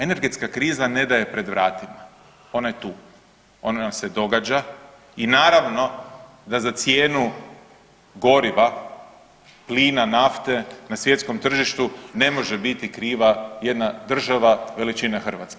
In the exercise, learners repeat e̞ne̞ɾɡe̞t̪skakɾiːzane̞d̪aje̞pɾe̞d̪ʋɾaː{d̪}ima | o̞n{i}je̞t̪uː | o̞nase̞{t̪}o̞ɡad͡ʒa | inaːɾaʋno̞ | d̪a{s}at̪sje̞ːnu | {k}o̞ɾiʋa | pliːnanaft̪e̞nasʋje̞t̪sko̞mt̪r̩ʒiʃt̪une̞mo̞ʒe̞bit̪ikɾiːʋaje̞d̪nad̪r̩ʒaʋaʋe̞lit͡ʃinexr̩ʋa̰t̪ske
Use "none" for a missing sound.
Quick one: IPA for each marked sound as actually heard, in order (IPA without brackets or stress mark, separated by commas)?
t̪, a, d̪, z, ɡ